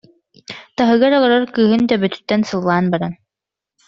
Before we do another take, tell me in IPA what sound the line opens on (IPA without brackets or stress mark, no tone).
t̪